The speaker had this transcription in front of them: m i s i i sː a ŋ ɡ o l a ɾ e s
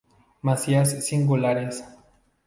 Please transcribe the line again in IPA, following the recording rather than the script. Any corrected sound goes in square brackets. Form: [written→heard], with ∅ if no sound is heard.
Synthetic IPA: m [i→a] s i [i→a] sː [a→i] ŋ ɡ [o→u] l a ɾ e s